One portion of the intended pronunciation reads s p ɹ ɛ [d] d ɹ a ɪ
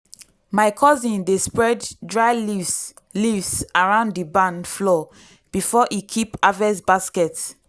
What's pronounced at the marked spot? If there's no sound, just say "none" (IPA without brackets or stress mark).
d